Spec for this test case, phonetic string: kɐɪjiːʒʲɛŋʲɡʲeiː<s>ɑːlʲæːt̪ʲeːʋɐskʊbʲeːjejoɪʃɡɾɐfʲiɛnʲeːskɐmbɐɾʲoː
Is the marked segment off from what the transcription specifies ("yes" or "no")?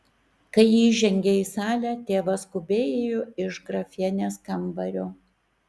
no